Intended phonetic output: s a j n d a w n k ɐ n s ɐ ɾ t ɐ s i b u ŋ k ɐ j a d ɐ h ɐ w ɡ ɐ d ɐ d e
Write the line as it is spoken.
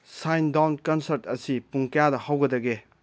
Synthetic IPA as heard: s a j n d a w n k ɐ n s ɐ ɾ t ɐ s i p u ŋ k ɐ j a d ɐ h a w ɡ ɐ d ɐ ɡ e

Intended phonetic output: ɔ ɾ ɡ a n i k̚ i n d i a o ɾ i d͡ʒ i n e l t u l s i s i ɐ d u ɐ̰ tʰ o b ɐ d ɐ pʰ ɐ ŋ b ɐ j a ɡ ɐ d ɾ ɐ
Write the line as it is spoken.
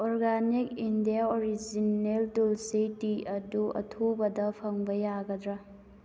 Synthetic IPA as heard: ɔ ɾ ɡ a n i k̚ i n d i a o ɾ i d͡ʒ i n e l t u l s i t i ɐ d u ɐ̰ tʰ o b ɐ d ɐ pʰ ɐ ŋ b ɐ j a ɡ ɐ d ɾ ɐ

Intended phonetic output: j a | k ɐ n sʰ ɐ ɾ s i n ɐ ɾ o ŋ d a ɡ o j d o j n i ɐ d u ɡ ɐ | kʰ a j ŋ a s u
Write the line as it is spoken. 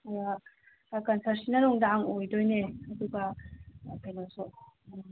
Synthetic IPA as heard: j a | k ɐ n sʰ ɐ ɾ s i n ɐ ɾ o ŋ d a ŋ o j d o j n e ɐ d u ɡ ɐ | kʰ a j n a s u

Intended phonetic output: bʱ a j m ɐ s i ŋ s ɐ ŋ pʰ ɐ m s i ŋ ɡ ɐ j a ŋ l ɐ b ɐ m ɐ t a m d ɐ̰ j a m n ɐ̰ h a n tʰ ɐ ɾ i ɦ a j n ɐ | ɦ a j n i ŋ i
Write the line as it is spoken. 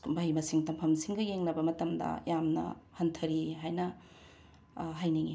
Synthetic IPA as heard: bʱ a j m ɐ s i ŋ t ɐ m pʰ ɐ m s i ŋ ɡ ɐ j e ŋ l ɐ b ɐ m ɐ t ɐ m d ɐ̰ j a m n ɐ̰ h ɐ n tʰ ɐ ɾ i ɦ a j n ɐ | ɦ a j n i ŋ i

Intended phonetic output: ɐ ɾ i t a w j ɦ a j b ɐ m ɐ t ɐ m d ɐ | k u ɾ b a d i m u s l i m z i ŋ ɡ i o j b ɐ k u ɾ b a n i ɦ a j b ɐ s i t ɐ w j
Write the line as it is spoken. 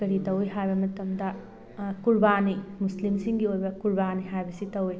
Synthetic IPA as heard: ɐ ɾ i t ɐ w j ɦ a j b ɐ m ɐ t ɐ m d ɐ | k u ɾ b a n i m u s l i m s i ŋ ɡ i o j b ɐ k u ɾ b a n i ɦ a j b ɐ s i t ɐ w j

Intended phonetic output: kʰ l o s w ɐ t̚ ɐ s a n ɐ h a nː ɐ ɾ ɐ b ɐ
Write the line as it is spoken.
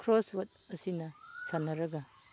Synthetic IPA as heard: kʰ ɾ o s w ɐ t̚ ɐ s i n ɐ s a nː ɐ ɾ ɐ ɡ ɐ

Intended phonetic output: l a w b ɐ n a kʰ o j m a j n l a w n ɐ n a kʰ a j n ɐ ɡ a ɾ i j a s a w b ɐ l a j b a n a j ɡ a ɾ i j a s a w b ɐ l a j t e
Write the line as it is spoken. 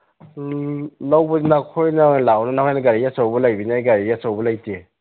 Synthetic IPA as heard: l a w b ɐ n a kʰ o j n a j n l a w n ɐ n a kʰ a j n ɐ ɡ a ɾ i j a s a w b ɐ l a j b i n a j ɡ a ɾ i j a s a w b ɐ l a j t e

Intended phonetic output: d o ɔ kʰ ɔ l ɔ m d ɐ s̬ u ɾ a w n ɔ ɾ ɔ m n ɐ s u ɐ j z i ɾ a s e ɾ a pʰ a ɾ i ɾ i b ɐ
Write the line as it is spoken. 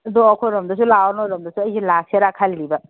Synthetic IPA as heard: d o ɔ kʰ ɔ ɾ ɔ m d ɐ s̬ u l a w n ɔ ɾ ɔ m d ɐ s u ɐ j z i l a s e ɾ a kʰ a l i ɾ i b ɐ

